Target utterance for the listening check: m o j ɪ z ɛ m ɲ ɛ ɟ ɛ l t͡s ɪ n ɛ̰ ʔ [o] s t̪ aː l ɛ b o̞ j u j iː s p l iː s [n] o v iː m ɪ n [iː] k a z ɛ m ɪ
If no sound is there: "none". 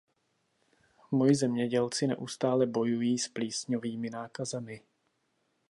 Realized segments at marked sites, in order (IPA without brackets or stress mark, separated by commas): u, ɲ, aː